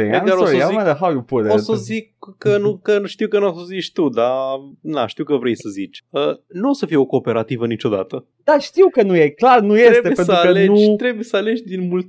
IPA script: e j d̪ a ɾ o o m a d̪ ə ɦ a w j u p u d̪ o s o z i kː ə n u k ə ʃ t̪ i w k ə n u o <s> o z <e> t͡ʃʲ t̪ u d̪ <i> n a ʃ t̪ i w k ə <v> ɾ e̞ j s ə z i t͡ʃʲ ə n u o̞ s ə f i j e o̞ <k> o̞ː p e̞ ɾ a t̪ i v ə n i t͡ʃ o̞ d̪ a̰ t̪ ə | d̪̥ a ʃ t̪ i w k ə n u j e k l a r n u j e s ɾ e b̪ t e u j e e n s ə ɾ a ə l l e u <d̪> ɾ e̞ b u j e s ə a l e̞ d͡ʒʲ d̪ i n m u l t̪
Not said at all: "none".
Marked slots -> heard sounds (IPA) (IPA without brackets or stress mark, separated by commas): s, i, a, v, k, t̪